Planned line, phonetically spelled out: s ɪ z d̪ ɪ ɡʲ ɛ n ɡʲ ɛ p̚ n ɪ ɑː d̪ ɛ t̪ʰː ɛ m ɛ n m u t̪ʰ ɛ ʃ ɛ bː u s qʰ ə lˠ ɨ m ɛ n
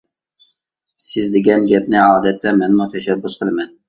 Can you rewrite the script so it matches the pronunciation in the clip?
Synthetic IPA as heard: s ɪ z d̪ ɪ ɡʲ ɛ n ɡʲ ɛ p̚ n ɪ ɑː d̪ ɛ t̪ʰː ɛ m ɛ n m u t̪ʰ ɛ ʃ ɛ bː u s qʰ ə lˠ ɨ m ɛ n